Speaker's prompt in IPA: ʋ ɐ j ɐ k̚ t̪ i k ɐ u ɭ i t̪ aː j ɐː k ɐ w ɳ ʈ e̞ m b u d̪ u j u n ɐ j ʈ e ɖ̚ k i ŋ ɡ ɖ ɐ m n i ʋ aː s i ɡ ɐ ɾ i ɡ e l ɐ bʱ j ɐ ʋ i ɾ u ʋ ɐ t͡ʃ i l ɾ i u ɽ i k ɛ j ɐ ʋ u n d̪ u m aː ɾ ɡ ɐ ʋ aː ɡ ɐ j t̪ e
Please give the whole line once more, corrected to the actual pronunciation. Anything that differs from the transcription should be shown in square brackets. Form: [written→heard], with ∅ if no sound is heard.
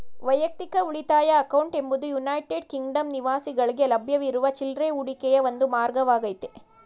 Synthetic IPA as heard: ʋ ɐ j ɐ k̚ t̪ i k ɐ u ɭ i t̪ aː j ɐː k ɐ w ɳ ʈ e̞ m b u d̪ u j u n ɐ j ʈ e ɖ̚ k i ŋ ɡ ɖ ɐ m n i ʋ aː s i ɡ ɐ [ɾ→ɭ] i ɡ e l ɐ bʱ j ɐ ʋ i ɾ u ʋ ɐ t͡ʃ i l ɾ [i→e] u ɽ i k ɛ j ɐ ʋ [u→o] n d̪ u m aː ɾ ɡ ɐ ʋ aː ɡ ɐ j t̪ e